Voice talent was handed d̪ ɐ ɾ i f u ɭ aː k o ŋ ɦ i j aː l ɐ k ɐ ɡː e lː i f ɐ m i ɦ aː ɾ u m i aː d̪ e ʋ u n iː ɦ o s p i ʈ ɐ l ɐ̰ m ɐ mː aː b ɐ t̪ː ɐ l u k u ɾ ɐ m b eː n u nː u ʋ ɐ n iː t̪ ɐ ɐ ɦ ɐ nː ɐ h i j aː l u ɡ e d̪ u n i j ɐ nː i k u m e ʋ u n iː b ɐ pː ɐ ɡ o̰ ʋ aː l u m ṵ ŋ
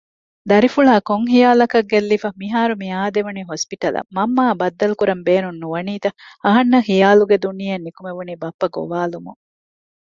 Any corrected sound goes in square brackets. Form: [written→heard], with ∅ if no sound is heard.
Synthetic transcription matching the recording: d̪ ɐ ɾ i f u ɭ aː k o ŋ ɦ i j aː l ɐ k ɐ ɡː e lː i f ɐ m i ɦ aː ɾ u m i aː d̪ e ʋ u n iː ɦ o s p i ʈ ɐ l ɐ̰ m ɐ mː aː b ɐ [t̪ː→d̪ː] ɐ l u k u ɾ ɐ m b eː n u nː u ʋ ɐ n iː t̪ ɐ ɐ ɦ ɐ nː ɐ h i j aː l u ɡ e d̪ u n i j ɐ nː i k u m e ʋ u n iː b ɐ pː ɐ ɡ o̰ ʋ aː l u m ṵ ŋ

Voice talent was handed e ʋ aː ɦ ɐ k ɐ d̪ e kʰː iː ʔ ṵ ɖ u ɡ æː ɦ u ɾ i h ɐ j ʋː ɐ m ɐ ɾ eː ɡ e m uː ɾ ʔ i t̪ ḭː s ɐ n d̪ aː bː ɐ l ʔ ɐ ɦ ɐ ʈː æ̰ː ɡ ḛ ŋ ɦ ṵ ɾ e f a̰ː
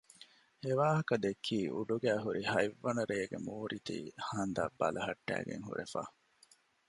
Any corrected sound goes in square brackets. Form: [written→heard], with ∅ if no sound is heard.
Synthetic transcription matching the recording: e ʋ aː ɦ ɐ k ɐ d̪ e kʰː iː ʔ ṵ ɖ u ɡ æː ɦ u ɾ i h ɐ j ʋː ɐ [m→n] ɐ ɾ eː ɡ e m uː ɾ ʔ i t̪ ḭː [s→h] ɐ n d̪ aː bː ɐ l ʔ ɐ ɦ ɐ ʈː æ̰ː ɡ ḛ ŋ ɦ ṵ ɾ e f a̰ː

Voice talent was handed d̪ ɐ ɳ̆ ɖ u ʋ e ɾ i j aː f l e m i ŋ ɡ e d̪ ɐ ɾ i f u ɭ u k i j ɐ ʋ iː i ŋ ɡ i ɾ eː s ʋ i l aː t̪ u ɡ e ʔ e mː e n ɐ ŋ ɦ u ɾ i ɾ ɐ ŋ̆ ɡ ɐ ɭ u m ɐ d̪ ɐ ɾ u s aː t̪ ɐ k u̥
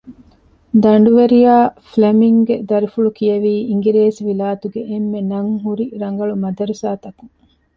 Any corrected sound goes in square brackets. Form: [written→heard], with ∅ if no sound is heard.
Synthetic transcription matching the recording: d̪ ɐ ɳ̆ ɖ u ʋ e ɾ i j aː f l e m i ŋ ɡ e d̪ ɐ ɾ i f u ɭ u k i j ɐ ʋ iː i ŋ ɡ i ɾ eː s ʋ i l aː t̪ u ɡ e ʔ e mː e n ɐ ŋ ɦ u ɾ i ɾ ɐ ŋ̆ ɡ ɐ ɭ u m ɐ d̪ ɐ ɾ u s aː t̪ ɐ k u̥

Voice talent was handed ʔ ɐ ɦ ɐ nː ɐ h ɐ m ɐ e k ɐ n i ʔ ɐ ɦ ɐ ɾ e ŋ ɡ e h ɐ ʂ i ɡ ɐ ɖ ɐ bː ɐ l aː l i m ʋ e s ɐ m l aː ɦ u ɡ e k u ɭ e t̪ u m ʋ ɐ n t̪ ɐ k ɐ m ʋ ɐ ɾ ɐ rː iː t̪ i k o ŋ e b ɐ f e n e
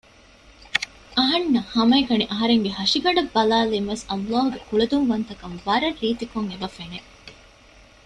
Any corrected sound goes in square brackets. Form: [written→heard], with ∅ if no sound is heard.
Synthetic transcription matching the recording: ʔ ɐ ɦ ɐ nː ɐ h ɐ m ɐ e k ɐ n i ʔ ɐ ɦ ɐ ɾ e ŋ ɡ e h ɐ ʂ i ɡ ɐ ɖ ɐ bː ɐ l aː l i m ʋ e s ɐ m l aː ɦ u ɡ e k u ɭ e [t̪→d̪] u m ʋ ɐ n t̪ ɐ k ɐ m ʋ ɐ ɾ ɐ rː iː t̪ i k o ŋ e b ɐ f e n e

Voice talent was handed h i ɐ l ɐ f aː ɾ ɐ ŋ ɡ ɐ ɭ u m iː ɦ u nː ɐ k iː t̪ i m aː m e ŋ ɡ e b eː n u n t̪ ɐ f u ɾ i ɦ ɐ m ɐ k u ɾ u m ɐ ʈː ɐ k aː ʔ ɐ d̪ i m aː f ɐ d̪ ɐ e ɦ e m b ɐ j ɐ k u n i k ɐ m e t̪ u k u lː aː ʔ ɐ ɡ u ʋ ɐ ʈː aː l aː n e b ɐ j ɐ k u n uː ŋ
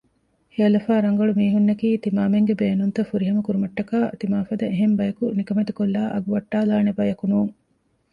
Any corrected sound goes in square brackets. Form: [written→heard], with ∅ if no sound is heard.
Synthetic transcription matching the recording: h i ɐ l ɐ f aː ɾ ɐ ŋ ɡ ɐ ɭ u m iː ɦ u nː ɐ k iː t̪ i m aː m e ŋ ɡ e b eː n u n t̪ ɐ f u ɾ i ɦ ɐ m ɐ k u ɾ u m ɐ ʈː ɐ k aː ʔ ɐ [d̪→t̪] i m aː f ɐ d̪ ɐ e ɦ e m b ɐ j ɐ k u n i k ɐ m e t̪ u k [u→o] lː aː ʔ ɐ ɡ u ʋ ɐ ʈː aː l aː n e b ɐ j ɐ k u n uː ŋ

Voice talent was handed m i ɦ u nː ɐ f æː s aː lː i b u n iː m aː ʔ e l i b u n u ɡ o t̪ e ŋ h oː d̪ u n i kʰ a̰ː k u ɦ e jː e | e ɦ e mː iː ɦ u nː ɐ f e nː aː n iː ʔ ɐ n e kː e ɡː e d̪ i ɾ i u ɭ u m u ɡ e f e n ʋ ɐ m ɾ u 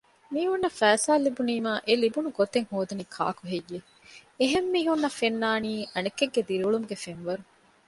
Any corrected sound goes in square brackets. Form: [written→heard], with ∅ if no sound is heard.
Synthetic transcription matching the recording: m [i→iː] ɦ u nː ɐ f æː s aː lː i b u n iː m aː ʔ e l i b u n u ɡ o t̪ e ŋ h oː d̪ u n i kʰ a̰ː k u ɦ e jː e | e ɦ e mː iː ɦ u nː ɐ f e nː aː n iː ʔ ɐ n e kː e ɡː e d̪ i ɾ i u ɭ u m u ɡ e f e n ʋ ɐ [m→∅] ɾ u

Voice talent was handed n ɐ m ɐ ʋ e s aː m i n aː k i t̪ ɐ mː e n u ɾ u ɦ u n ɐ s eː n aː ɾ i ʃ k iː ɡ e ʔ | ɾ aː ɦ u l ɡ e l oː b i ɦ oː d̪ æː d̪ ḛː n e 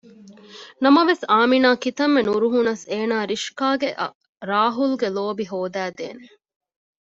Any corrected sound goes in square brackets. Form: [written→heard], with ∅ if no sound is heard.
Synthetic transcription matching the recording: n ɐ m ɐ ʋ e s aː m i n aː k i t̪ ɐ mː e n u ɾ u ɦ u n ɐ s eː n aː ɾ i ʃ k [iː→aː] ɡ e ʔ | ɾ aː ɦ u l ɡ e l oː b i ɦ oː d̪ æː d̪ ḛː n e

